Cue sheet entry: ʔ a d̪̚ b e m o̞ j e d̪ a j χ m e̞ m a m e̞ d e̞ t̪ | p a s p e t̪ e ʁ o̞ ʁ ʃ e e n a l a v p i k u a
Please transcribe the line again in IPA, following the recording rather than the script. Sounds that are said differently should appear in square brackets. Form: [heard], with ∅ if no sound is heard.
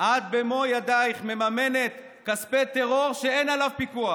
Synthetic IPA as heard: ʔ a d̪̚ b e m o̞ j [a] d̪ a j χ m e̞ m a m e̞ [n] e̞ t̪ | [k] a s p e t̪ e ʁ o̞ ʁ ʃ e e n a l a v p i k u a